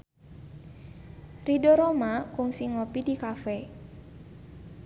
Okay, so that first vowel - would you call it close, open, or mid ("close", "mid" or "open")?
close